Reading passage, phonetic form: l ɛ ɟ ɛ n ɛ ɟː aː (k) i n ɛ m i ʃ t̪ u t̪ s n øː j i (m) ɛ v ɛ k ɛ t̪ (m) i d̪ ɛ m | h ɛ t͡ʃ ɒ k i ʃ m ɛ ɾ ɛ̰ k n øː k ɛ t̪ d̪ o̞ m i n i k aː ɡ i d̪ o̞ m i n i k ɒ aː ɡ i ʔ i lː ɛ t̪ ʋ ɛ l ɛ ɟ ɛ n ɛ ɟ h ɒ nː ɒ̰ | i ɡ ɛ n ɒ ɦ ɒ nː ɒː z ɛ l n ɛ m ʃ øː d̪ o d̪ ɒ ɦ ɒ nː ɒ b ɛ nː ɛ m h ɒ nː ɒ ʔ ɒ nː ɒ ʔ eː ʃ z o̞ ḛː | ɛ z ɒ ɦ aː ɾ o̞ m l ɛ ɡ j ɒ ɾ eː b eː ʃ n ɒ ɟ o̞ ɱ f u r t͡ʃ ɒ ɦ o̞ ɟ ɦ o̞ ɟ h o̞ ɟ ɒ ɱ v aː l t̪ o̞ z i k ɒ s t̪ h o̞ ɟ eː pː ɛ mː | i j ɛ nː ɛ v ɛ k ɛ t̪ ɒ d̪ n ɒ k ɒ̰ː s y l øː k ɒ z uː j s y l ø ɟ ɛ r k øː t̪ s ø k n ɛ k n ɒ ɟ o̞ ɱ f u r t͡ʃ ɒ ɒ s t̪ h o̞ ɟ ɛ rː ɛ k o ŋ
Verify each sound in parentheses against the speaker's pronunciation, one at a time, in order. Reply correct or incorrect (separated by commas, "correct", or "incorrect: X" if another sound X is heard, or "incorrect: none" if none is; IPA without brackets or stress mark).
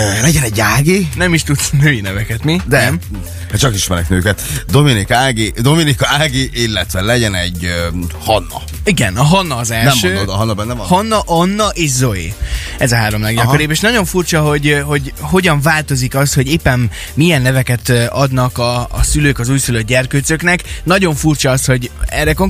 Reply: incorrect: ɡ, incorrect: n, correct